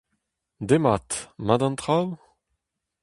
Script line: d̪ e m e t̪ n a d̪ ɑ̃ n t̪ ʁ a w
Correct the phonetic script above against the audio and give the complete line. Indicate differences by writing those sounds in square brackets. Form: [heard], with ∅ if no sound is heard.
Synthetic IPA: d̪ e m [a] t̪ [m] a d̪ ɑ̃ n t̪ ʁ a w